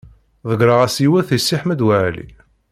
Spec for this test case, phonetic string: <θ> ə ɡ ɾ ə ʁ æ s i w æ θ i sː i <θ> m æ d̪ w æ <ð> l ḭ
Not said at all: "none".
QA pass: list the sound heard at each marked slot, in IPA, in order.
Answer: ð, ħ, ʕ

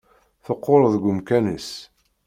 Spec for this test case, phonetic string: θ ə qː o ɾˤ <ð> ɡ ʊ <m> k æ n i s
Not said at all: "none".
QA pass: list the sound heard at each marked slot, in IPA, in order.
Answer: ð, m

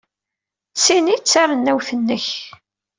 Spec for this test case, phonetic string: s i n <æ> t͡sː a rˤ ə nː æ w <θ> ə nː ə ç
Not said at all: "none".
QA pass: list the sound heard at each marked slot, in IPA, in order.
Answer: i, θ

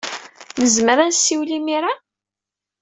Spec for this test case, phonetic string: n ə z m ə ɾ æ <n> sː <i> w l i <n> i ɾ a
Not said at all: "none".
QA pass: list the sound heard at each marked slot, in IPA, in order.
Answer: n, i, m

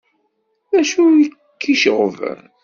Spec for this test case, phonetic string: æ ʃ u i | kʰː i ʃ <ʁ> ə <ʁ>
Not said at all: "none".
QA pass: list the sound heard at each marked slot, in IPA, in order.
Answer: ʁ, v

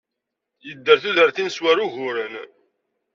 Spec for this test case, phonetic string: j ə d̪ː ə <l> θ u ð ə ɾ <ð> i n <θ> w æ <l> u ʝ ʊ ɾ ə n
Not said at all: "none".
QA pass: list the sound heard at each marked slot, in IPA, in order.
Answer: ɾ, θ, s, ɾ

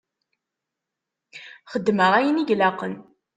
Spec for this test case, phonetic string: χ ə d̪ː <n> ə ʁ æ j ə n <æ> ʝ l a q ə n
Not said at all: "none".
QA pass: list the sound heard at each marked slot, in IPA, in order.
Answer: m, i

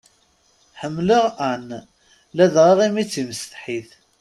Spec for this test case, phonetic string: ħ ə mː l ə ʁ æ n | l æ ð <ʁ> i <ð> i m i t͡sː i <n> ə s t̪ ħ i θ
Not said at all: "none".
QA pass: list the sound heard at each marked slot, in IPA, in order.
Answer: ʁ, ʁ, m

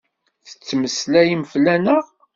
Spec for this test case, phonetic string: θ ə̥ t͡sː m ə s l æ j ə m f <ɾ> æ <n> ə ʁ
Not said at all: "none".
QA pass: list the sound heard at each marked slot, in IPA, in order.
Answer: l, n

